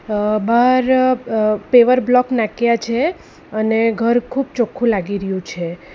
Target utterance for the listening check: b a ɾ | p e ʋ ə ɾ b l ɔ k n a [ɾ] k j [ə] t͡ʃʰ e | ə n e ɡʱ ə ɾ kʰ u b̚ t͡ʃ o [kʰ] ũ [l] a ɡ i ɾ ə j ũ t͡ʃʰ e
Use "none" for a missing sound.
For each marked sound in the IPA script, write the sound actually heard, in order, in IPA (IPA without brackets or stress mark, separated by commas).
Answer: none, a, kʰ, l